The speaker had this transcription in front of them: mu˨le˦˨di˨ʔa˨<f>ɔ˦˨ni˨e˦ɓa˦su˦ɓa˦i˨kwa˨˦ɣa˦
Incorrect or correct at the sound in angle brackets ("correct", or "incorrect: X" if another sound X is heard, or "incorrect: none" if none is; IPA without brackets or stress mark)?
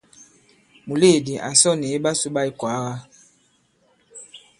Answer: incorrect: s